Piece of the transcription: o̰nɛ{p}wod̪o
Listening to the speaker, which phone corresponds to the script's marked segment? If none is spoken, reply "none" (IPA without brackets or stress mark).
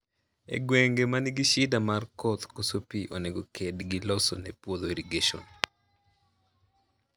p